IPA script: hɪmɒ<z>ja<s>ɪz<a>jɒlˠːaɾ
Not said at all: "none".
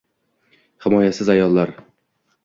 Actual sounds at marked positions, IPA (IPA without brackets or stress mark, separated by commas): none, s, a